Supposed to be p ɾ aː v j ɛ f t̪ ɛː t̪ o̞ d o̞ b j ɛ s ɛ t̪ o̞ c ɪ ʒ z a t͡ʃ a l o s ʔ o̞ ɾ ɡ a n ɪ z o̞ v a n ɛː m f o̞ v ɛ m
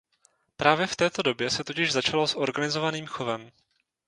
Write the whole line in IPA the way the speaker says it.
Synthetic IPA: p ɾ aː v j ɛ f t̪ ɛː t̪ o̞ d o̞ b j ɛ s ɛ t̪ o̞ c ɪ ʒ z a t͡ʃ a l o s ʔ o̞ ɾ ɡ a n ɪ z o̞ v a n iː m x o̞ v ɛ m